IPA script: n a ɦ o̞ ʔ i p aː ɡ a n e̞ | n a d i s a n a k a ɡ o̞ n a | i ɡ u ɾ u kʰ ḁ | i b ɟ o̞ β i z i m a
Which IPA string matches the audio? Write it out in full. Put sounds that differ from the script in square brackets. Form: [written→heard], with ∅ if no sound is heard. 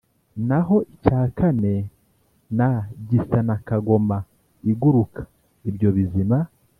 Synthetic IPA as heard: n a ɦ o̞ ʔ i [p→c] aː [ɡ→k] a n e̞ | n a [d→ɟ] i s a n a k a ɡ o̞ [n→m] a | i ɡ u ɾ u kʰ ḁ | i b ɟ o̞ β i z i m a